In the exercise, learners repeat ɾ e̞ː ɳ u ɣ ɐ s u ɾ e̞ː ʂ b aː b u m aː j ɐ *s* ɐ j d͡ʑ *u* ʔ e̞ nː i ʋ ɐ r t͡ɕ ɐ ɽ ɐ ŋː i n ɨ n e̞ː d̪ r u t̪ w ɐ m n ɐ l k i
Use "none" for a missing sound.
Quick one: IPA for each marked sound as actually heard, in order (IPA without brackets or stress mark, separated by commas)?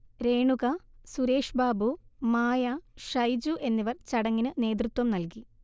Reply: ʂ, u